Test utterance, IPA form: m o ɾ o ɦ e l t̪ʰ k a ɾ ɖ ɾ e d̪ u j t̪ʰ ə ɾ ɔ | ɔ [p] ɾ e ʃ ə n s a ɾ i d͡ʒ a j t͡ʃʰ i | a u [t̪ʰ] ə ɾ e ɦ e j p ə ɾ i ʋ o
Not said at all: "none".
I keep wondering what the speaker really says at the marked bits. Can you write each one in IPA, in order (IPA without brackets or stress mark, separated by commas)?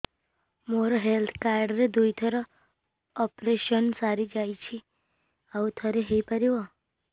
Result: p, t̪ʰ